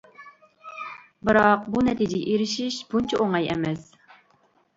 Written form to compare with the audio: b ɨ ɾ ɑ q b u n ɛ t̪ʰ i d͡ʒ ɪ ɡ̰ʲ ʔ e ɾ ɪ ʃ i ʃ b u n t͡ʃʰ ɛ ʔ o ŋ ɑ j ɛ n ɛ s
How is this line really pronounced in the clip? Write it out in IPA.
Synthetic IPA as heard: b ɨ ɾ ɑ q b u n ɛ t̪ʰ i d͡ʒ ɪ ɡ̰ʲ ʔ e ɾ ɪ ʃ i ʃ b u n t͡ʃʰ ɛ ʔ o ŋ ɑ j ɛ m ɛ s